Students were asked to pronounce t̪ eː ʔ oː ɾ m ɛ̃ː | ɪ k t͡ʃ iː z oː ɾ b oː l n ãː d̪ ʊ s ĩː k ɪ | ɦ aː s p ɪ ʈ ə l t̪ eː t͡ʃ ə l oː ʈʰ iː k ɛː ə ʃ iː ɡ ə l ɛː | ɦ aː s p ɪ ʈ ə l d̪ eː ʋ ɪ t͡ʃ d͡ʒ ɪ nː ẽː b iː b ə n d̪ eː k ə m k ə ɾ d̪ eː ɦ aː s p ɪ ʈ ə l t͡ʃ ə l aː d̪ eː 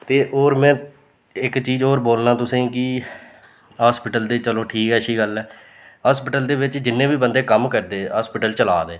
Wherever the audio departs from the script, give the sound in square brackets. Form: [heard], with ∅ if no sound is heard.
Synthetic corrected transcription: t̪ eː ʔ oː ɾ m ɛ̃ː | ɪ k t͡ʃ iː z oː ɾ b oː l n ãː [t̪] ʊ s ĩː k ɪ | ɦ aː s p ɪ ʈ ə l [d̪] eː t͡ʃ ə l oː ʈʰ iː k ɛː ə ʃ iː ɡ ə l ɛː | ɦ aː s p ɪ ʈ ə l d̪ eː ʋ ɪ t͡ʃ d͡ʒ ɪ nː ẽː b iː b ə n d̪ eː k ə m k ə ɾ d̪ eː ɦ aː s p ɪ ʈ ə l t͡ʃ ə l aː d̪ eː